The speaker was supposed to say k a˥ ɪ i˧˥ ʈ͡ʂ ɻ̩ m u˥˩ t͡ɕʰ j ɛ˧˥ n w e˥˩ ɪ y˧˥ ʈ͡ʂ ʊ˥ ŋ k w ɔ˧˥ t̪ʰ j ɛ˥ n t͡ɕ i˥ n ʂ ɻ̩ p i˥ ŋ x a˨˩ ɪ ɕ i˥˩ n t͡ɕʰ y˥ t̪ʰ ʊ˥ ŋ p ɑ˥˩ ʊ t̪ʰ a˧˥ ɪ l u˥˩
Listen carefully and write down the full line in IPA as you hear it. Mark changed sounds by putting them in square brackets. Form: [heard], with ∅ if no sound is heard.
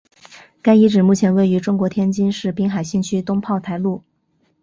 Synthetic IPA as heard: k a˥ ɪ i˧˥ ʈ͡ʂ ɻ̩ m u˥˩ t͡ɕʰ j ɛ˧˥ n w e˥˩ ɪ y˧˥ ʈ͡ʂ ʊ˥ ŋ k w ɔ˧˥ t̪ʰ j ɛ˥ n t͡ɕ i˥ n ʂ ɻ̩ p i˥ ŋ x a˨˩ ɪ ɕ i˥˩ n t͡ɕʰ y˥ [t̪] ʊ˥ ŋ [pʰ] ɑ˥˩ ʊ t̪ʰ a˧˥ ɪ l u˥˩